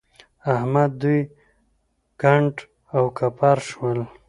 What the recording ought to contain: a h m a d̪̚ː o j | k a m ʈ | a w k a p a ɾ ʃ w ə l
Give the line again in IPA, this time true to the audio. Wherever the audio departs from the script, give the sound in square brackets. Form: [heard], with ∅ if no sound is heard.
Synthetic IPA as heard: a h m a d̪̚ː [u] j | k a [ɳ] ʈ | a w k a p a ɾ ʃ w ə l